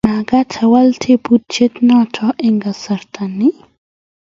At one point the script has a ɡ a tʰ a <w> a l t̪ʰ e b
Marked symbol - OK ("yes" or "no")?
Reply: yes